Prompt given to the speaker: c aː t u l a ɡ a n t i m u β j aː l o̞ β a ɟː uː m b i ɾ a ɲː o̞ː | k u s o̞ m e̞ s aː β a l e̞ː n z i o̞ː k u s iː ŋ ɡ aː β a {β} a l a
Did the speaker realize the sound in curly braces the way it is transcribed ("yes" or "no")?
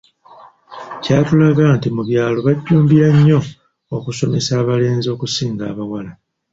no